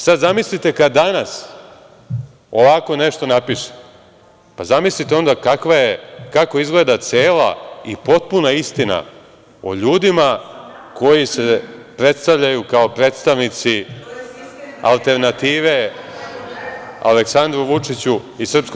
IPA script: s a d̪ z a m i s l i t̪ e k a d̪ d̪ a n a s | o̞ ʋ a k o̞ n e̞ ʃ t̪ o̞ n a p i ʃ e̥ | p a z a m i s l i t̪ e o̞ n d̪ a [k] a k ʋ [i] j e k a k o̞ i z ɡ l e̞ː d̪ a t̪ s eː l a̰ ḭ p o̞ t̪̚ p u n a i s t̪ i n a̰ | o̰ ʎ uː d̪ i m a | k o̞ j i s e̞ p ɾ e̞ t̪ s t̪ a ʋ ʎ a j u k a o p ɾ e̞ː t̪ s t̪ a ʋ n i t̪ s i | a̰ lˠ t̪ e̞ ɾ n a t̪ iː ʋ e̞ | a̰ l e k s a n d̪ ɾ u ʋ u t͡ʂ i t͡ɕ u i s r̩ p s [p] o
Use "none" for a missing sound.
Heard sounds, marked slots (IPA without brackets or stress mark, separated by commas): k, a, k